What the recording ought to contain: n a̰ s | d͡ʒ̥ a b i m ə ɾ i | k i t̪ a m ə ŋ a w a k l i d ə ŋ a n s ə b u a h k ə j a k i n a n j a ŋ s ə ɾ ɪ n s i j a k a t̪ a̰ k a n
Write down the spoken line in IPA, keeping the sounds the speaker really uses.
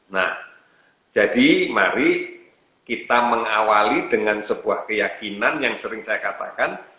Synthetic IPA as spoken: n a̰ h | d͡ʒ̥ a d i m a ɾ i | k i t̪ a m ə ŋ a w a l i d ə ŋ a n s ə b u a h k ə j a k i n a n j a ŋ s ə ɾ ɪ ŋ s a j a k a t̪ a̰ k a n